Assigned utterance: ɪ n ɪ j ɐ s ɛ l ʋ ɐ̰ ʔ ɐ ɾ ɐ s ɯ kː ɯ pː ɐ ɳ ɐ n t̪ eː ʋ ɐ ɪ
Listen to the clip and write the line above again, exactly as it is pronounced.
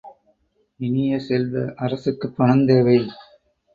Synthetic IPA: ɪ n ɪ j ɐ s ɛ l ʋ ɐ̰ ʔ ɐ ɾ ɐ s ɯ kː ɯ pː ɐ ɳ ɐ n d̪ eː ʋ ɐ ɪ